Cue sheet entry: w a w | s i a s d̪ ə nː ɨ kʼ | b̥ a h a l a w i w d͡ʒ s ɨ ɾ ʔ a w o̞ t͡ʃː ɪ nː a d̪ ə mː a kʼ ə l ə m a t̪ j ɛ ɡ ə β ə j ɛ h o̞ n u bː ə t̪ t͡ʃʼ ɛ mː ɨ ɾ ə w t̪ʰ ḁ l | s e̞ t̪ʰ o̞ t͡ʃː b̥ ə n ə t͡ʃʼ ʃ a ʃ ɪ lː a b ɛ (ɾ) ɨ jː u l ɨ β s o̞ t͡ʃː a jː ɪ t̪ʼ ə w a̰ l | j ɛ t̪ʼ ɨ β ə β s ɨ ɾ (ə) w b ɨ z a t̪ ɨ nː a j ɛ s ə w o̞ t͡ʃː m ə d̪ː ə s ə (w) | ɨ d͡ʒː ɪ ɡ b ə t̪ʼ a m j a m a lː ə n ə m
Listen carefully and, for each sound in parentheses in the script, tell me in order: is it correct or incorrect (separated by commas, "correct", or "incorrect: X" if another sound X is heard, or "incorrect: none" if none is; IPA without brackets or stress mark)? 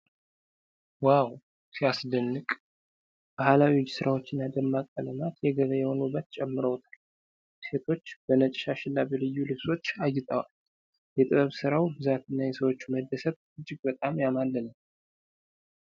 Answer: incorrect: l, incorrect: a, incorrect: β